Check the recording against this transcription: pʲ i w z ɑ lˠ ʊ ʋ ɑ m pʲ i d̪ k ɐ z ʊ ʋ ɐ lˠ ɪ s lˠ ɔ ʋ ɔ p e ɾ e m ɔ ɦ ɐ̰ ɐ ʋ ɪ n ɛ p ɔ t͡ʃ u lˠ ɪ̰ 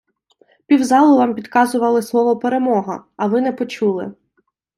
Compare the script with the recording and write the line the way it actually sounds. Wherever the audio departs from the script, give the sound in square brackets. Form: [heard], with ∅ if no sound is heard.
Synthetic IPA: pʲ i w z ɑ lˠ ʊ ʋ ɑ m pʲ i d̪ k [ɑ] z ʊ ʋ ɐ lˠ ɪ s lˠ ɔ ʋ ɔ p e ɾ e m ɔ ɦ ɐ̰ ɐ ʋ ɪ n ɛ p ɔ t͡ʃ u lˠ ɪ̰

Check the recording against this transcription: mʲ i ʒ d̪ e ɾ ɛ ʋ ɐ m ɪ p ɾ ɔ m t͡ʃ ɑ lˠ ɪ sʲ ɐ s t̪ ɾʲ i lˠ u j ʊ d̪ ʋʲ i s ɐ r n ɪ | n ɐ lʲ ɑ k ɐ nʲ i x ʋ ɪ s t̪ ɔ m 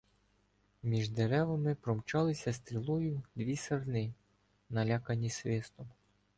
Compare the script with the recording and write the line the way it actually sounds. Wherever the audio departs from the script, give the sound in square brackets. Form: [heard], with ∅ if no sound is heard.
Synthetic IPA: mʲ i ʒ d̪ e ɾ ɛ ʋ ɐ m ɪ p ɾ ɔ m t͡ʃ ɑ lˠ ɪ sʲ ɐ s t̪ ɾʲ i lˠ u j ʊ d̪ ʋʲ i s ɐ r n ɪ | n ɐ lʲ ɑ k ɐ nʲ i [s] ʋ ɪ s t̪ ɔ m

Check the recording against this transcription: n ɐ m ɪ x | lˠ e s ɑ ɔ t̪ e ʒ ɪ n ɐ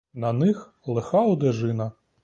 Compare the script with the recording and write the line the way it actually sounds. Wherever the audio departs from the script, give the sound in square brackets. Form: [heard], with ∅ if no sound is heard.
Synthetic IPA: n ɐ [n] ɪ x | lˠ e [x] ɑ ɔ [d̪] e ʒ ɪ n ɐ

